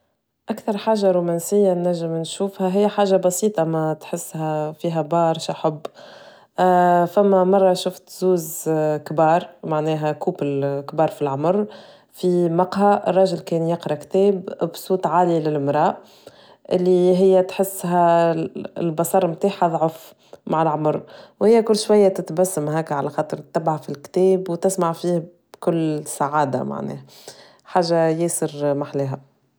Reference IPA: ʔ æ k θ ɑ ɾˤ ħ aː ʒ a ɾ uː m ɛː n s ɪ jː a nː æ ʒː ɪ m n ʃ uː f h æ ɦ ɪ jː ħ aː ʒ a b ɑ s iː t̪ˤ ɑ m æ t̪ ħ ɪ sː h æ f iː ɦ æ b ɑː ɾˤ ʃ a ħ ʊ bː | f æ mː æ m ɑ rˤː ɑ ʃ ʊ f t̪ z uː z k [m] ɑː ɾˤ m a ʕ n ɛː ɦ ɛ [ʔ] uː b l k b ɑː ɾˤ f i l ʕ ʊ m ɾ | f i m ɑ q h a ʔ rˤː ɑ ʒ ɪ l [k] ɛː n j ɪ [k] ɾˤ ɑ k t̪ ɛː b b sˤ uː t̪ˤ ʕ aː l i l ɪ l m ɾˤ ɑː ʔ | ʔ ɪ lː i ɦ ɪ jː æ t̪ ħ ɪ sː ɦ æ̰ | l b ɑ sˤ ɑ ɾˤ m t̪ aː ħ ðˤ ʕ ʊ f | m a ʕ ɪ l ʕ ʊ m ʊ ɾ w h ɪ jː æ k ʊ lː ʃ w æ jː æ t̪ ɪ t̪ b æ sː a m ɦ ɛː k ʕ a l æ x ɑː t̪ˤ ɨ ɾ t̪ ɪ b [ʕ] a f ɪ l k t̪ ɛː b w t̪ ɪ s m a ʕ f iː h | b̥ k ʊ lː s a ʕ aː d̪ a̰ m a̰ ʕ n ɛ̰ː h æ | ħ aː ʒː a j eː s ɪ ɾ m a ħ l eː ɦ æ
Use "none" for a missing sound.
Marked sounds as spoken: b, k, k, q, ʕ

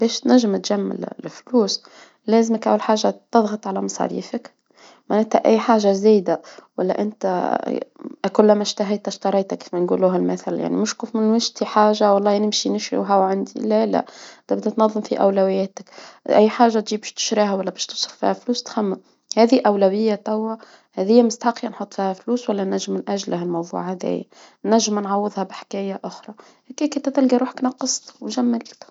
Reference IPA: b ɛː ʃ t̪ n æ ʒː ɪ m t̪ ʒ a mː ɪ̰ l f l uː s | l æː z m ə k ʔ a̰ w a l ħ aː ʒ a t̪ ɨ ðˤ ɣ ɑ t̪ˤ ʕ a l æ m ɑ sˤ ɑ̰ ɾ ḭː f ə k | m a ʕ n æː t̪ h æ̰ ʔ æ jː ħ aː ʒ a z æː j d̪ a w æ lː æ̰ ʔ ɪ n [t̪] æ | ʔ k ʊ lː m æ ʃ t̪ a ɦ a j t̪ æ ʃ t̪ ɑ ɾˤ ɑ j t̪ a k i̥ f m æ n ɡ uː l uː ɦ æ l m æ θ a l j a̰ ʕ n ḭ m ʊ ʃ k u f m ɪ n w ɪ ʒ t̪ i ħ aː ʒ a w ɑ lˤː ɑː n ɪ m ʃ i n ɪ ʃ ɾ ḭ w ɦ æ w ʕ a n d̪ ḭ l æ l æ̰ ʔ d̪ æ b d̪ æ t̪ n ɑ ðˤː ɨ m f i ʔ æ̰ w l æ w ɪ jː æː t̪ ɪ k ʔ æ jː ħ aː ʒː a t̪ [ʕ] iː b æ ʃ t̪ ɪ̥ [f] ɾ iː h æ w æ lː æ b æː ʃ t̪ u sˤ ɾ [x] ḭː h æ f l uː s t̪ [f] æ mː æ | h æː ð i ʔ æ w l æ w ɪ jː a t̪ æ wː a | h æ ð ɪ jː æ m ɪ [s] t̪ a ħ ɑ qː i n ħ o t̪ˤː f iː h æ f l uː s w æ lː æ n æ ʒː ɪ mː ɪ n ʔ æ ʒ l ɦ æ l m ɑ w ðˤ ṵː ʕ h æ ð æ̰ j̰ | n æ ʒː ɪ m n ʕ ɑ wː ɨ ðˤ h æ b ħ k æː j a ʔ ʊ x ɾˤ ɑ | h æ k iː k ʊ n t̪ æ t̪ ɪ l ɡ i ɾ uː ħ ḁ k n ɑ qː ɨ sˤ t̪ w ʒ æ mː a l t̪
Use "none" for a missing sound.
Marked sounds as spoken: t̪, ʒ, ʃ, f, x, s

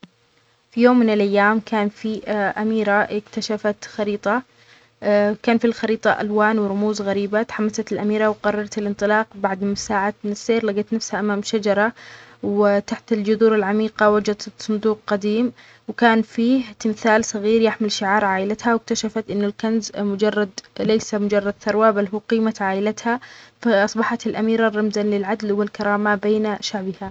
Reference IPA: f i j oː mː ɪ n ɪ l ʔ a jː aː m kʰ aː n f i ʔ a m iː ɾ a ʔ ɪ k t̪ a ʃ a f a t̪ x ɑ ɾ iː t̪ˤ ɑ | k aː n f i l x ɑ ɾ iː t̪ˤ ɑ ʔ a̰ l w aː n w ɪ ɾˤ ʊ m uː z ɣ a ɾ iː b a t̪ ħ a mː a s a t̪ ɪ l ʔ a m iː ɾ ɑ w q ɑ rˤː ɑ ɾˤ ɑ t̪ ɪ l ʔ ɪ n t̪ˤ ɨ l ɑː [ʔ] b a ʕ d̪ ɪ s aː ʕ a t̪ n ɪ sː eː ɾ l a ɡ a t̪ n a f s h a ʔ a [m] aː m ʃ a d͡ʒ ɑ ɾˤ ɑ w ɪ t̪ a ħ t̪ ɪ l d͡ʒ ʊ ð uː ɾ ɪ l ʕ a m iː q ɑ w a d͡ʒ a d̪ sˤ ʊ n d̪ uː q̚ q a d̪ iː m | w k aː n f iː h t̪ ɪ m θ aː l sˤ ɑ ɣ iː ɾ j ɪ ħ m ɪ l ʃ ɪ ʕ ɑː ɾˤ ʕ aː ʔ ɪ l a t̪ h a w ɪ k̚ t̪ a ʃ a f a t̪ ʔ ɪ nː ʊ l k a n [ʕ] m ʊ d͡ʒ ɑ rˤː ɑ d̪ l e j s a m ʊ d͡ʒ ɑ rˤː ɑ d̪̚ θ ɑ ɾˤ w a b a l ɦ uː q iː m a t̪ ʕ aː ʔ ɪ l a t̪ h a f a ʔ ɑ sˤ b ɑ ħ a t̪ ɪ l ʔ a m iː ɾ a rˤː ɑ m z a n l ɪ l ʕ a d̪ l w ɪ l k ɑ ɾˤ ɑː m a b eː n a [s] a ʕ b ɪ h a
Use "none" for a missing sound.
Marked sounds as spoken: q, m, z, ʃ

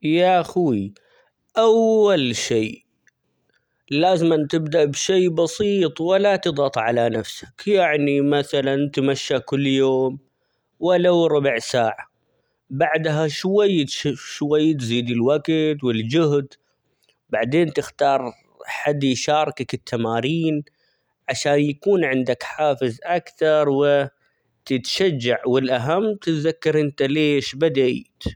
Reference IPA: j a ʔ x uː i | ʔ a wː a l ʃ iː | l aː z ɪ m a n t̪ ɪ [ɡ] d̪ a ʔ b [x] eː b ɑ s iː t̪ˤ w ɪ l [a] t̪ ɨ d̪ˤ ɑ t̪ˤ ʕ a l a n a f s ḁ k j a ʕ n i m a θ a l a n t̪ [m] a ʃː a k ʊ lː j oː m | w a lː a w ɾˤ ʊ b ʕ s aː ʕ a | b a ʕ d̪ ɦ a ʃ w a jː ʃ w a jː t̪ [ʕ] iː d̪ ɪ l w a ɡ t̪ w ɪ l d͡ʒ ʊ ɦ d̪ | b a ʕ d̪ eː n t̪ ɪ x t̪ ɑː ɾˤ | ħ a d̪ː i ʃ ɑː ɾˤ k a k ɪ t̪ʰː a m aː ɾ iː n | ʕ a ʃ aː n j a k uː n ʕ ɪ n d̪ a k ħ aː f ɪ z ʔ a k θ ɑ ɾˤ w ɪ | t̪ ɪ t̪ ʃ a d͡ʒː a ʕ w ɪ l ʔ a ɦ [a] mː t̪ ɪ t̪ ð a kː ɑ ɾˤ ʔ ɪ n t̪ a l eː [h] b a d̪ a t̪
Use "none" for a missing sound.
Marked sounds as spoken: b, ʃ, a, m, z, a, ʃ

